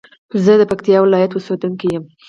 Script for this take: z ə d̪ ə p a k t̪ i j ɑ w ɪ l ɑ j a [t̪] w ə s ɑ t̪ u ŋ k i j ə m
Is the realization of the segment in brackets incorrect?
no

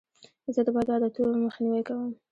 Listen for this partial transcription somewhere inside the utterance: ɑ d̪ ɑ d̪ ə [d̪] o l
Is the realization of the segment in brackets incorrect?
yes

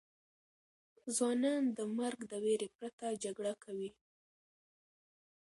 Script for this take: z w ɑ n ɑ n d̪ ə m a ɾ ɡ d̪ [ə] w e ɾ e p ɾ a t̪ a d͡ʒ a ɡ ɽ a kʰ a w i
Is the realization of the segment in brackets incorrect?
no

